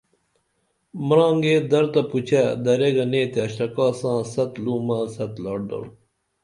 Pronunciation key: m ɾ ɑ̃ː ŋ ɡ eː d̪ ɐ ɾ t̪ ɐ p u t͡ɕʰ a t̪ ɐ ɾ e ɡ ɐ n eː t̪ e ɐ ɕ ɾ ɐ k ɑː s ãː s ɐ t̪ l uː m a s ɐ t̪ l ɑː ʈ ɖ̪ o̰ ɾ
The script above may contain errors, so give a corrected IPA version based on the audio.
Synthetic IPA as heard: m ɾ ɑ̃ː ŋ ɡ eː d̪ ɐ ɾ t̪ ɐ p u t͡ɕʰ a d̪ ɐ ɾ e ɡ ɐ n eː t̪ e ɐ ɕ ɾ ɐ k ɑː s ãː s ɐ t̪ l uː m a s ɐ t̪ l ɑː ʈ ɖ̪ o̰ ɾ